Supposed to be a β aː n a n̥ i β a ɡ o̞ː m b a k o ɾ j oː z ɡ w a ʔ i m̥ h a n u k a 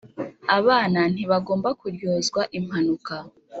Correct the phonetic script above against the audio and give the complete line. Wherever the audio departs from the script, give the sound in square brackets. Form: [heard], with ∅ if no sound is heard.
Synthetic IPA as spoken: a β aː n a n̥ i β a ɡ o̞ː m b a k [u] ɾ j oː z ɡ w a ʔ i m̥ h a n u k a